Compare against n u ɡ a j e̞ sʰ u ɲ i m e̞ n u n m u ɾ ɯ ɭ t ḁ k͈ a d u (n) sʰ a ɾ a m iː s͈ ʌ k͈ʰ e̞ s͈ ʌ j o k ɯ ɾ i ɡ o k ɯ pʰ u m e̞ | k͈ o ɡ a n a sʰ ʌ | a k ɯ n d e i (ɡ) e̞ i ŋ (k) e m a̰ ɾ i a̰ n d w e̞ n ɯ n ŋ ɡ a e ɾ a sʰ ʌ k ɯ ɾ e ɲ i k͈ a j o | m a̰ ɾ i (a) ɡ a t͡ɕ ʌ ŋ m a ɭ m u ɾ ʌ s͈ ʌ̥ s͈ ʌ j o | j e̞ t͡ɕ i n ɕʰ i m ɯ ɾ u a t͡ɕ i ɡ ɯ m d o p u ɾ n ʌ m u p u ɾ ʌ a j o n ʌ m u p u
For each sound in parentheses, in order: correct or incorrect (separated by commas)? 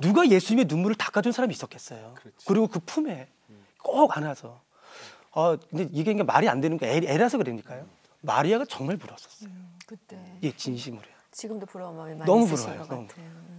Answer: correct, correct, incorrect, correct